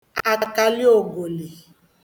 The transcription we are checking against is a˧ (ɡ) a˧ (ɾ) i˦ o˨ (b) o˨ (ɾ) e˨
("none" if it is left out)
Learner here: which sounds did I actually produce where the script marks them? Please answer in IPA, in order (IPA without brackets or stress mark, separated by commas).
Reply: k, l, ɡ, l